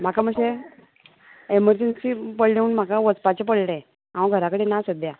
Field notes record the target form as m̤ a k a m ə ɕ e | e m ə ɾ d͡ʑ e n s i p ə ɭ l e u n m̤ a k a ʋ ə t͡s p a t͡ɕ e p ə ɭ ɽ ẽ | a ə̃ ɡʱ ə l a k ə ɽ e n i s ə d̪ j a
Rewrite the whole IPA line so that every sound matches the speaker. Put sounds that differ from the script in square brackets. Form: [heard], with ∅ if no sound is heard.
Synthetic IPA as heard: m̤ a k a m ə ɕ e | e m ə ɾ d͡ʑ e n s i p ə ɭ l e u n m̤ a k a ʋ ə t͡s p a t͡ɕ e p ə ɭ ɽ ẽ | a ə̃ ɡʱ ə [ɾ] a k ə ɽ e n [a] s ə d̪ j a

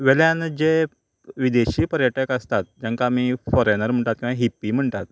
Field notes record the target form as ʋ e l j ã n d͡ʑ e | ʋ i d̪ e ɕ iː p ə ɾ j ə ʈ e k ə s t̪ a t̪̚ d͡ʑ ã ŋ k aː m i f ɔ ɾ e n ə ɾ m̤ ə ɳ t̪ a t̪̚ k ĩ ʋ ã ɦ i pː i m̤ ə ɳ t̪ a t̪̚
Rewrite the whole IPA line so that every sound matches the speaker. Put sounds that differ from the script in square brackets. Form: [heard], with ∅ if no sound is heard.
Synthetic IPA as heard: ʋ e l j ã n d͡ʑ e | ʋ i d̪ e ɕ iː p ə ɾ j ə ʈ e k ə s t̪ a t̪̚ d͡ʑ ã ŋ k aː m i f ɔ ɾ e n ə ɾ m̤ ə ɳ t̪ a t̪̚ k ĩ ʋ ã ɦ i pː i m̤ ə ɳ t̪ a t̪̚

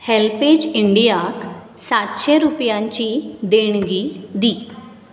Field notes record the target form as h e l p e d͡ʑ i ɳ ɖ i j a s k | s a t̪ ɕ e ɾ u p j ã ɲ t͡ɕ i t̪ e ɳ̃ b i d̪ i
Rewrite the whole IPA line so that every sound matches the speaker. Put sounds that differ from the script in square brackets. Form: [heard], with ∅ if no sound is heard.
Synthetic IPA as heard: h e l p e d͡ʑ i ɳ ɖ i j a [∅] k | s a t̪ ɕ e ɾ u p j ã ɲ t͡ɕ i [d̪] e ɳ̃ [ɡ] i d̪ i

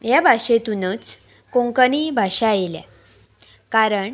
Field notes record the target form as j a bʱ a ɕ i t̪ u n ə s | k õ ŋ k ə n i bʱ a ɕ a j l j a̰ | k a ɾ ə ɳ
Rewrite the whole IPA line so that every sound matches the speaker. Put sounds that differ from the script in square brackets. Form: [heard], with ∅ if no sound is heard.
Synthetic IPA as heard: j a bʱ a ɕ [e] t̪ u n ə [t͡s] | k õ ŋ k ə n i bʱ a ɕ a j l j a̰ | k a ɾ ə ɳ

